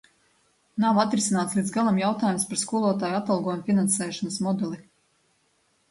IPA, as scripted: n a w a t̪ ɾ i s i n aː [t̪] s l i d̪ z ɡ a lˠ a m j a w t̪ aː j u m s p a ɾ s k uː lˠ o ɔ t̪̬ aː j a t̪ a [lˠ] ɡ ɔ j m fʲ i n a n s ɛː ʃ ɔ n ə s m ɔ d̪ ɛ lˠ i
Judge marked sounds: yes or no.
yes, yes

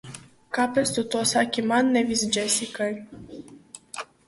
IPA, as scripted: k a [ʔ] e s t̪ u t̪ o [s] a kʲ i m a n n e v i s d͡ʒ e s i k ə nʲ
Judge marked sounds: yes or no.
no, yes

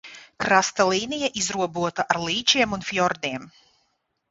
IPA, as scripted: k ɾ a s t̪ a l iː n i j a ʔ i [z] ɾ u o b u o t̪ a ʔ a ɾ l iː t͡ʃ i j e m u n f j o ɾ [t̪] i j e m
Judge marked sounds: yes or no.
yes, no

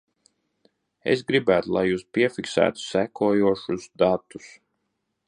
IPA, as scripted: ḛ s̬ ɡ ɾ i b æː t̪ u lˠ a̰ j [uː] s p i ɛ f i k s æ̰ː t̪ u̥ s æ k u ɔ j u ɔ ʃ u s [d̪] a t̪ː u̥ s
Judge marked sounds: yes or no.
yes, yes

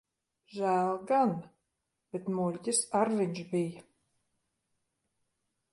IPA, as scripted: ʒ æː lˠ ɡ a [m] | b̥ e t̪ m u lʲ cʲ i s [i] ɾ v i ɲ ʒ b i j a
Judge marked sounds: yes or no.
no, no

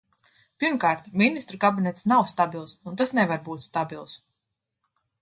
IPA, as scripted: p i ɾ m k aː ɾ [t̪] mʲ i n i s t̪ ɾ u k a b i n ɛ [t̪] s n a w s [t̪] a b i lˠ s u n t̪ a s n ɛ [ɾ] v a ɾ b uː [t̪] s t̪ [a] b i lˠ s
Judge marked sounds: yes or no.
yes, yes, yes, no, yes, yes

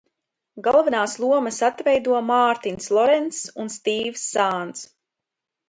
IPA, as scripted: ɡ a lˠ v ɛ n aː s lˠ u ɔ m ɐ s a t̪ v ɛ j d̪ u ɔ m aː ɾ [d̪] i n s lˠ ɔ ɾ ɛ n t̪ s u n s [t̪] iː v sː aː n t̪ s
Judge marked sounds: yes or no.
no, yes

